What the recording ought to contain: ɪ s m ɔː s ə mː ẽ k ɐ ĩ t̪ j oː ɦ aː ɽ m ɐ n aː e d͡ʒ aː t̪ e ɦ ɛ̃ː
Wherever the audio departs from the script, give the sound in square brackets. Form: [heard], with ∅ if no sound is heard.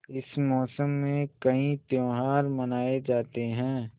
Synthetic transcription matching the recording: ɪ s m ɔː s ə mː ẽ k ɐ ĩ t̪ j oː ɦ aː [ɾ] m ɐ n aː e d͡ʒ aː t̪ e ɦ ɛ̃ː